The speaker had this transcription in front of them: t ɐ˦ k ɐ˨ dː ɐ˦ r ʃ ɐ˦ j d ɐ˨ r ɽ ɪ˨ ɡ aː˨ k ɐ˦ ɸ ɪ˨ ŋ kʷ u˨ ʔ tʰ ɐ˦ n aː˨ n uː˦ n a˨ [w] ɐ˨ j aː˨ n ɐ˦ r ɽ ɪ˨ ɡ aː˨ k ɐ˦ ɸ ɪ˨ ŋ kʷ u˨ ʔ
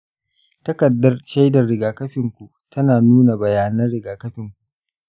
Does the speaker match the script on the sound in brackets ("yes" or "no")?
no